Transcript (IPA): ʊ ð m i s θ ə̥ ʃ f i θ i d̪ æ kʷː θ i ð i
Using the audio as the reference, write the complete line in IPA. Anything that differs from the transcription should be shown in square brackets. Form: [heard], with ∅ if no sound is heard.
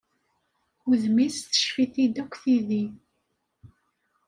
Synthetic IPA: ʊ ð m i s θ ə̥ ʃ f i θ i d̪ æ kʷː θ i ð i